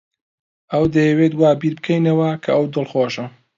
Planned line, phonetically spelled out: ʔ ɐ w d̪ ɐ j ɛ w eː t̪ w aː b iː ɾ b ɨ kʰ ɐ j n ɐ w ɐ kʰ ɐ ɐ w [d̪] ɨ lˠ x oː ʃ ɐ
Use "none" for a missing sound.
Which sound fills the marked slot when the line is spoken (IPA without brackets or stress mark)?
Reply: d̪